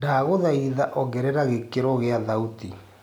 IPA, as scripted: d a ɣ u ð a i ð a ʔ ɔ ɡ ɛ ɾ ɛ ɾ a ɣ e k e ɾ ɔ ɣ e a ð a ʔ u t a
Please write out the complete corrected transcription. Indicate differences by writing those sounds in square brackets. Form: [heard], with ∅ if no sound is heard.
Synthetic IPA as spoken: d a ɣ [o] ð a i ð a ʔ ɔ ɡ ɛ ɾ ɛ ɾ a ɣ e k e ɾ ɔ ɣ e a ð a [∅] u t [i]